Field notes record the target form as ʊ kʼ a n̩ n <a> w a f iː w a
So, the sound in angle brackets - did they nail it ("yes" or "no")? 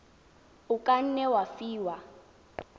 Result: no